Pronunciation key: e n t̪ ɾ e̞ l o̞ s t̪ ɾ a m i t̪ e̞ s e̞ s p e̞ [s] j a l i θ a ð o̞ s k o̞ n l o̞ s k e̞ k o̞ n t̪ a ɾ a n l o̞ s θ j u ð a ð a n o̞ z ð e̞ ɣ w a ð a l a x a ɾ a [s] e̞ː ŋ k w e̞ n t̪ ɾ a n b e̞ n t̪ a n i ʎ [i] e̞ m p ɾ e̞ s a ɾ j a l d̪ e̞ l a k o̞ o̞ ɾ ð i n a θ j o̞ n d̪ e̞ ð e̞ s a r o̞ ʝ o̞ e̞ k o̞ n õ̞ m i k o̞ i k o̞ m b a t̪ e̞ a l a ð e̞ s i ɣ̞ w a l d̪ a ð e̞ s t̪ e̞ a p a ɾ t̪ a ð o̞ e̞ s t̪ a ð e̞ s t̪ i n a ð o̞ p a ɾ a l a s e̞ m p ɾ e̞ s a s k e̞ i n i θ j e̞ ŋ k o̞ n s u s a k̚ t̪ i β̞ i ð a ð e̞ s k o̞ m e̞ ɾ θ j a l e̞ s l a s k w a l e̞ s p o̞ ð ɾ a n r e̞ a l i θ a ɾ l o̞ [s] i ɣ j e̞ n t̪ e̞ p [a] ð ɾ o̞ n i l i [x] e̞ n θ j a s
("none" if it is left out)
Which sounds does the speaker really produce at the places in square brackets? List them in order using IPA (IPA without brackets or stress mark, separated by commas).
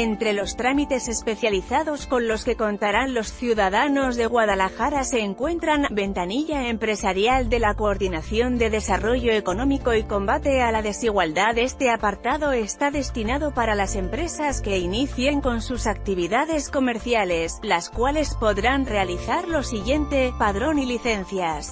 θ, s, a, s, a, θ